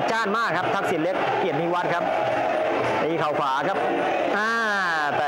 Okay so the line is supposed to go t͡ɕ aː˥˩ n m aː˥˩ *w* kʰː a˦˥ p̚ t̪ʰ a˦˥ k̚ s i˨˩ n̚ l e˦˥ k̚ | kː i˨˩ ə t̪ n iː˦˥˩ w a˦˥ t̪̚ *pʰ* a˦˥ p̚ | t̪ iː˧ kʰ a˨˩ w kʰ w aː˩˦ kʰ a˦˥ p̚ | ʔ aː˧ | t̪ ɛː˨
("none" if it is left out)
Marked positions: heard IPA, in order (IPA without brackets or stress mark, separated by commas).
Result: none, kʰ